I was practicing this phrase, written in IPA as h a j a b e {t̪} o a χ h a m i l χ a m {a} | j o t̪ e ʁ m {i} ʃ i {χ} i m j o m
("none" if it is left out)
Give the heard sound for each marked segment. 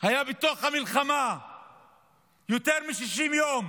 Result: t̪, a, i, ʃ

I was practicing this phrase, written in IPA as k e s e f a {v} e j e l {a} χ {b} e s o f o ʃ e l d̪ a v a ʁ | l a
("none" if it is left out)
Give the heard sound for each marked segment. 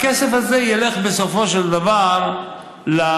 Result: z, e, b

